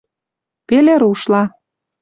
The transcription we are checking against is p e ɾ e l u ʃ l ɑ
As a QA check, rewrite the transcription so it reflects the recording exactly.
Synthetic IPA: p e l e ɾ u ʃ l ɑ